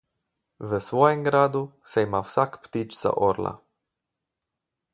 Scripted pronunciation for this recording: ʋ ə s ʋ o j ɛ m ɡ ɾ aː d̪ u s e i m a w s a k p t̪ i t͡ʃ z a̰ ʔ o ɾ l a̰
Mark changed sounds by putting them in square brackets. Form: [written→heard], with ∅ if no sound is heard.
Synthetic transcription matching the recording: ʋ ə s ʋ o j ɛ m ɡ ɾ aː d̪ u s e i m a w s a k p t̪ i t͡ʃ z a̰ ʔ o ɾ l a̰